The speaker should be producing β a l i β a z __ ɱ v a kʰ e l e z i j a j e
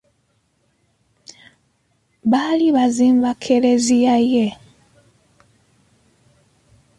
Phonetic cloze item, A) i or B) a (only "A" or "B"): A